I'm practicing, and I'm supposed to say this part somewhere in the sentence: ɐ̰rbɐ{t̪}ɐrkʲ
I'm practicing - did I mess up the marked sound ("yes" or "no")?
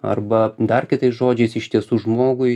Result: yes